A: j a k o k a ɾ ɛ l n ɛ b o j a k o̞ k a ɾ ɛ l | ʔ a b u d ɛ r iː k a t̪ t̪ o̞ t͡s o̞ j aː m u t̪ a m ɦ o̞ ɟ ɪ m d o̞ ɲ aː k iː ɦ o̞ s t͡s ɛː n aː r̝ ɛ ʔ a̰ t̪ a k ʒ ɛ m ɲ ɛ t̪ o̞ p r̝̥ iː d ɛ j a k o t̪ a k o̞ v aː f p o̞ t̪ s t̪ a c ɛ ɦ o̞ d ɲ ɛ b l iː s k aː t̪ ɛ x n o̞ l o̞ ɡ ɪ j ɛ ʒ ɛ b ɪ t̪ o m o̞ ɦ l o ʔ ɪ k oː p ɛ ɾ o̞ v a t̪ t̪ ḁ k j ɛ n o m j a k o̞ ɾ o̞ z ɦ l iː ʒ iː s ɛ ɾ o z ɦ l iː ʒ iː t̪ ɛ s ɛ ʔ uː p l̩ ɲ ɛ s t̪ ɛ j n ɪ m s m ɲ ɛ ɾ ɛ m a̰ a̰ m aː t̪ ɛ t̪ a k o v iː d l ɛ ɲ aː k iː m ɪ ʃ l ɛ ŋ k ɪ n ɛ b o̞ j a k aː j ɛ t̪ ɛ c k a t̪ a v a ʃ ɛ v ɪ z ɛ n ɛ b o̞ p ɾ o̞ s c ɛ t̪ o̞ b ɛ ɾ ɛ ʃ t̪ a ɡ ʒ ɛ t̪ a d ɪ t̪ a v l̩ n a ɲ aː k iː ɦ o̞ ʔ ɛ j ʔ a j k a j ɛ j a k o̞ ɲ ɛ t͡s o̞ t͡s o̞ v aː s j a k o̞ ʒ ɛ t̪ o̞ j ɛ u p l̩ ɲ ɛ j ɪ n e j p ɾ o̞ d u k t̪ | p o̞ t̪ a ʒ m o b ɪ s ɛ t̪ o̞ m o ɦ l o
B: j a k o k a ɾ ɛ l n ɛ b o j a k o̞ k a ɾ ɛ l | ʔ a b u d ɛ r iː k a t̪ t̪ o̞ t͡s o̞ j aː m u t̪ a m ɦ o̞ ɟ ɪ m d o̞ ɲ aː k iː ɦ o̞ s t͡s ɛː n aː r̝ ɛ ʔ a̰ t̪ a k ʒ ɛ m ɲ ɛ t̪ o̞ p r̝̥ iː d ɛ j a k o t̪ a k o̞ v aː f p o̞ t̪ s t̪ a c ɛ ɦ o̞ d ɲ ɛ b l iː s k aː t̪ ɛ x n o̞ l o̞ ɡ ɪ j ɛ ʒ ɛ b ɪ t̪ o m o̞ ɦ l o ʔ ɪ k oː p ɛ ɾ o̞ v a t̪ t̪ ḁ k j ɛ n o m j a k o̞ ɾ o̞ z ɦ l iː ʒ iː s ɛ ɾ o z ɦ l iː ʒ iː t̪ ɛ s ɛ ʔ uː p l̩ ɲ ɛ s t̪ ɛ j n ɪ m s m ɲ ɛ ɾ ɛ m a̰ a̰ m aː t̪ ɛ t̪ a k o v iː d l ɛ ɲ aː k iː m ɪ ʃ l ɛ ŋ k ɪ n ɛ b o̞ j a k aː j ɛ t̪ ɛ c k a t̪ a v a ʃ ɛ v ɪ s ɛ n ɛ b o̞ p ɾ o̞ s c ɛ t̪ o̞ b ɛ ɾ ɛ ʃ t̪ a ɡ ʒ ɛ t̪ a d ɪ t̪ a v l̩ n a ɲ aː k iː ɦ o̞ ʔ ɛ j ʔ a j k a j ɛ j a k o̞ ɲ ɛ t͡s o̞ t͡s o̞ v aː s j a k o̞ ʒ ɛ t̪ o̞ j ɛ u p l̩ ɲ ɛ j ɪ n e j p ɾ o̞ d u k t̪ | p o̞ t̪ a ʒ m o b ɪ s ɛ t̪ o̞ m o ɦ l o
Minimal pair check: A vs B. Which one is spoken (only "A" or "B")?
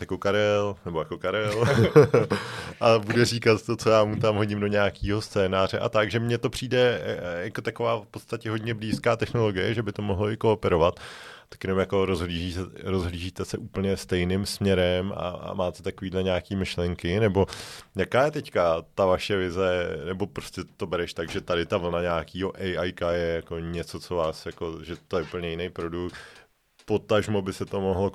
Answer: A